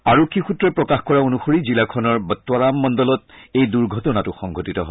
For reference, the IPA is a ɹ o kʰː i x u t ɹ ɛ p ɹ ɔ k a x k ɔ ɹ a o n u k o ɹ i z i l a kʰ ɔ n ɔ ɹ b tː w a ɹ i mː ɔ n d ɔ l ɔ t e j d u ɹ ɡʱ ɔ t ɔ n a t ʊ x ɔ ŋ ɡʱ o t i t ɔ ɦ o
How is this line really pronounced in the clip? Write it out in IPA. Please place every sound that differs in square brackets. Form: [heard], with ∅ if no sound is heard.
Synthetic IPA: a ɹ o kʰː i x u t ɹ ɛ p ɹ ɔ k a x k ɔ ɹ a o n u [x] o ɹ i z i l a kʰ ɔ n ɔ ɹ b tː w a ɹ [a] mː ɔ n d ɔ l ɔ t e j d u ɹ ɡʱ ɔ t ɔ n a t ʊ x ɔ ŋ ɡʱ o t i t ɔ ɦ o